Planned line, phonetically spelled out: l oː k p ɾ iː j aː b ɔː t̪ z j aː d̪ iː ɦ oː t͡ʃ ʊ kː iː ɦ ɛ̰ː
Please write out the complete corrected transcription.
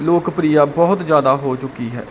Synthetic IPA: l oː k p ɾ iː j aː b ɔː t̪ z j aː d̪ aː ɦ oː t͡ʃ ʊ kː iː ɦ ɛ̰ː